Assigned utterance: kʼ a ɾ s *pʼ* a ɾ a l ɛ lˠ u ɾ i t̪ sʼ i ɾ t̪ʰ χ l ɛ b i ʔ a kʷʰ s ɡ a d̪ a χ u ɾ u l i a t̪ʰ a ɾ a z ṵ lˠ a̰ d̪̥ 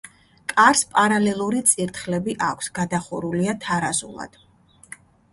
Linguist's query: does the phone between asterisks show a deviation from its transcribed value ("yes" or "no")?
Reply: no